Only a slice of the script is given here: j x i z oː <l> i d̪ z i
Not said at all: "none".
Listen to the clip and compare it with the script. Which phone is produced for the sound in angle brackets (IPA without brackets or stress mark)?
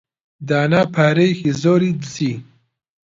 ɾ